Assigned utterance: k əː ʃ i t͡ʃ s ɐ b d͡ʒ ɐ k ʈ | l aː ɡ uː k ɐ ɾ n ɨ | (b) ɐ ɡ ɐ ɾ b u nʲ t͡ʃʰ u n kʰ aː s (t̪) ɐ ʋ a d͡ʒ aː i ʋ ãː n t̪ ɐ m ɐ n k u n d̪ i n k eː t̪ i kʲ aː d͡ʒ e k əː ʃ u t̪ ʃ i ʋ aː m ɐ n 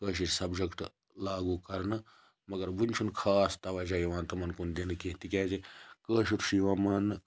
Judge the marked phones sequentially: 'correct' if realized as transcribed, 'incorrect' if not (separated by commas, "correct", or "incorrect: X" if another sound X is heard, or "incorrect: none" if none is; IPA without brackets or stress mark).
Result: incorrect: m, correct